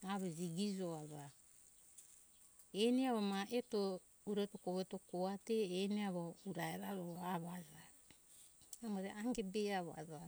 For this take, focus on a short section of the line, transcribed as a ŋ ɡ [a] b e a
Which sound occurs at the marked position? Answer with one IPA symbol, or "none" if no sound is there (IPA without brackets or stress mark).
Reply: e